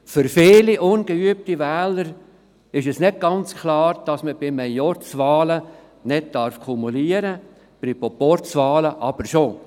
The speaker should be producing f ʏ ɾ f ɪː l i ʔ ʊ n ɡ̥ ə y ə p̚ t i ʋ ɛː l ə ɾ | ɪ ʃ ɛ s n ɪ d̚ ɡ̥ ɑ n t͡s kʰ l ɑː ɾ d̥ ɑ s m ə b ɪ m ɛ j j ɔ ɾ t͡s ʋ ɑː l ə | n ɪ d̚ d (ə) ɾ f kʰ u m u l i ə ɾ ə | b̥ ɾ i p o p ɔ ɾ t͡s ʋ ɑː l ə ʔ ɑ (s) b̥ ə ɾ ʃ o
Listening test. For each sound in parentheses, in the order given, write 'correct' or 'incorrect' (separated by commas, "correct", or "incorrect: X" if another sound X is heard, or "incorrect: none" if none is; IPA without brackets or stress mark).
incorrect: ɑ, incorrect: none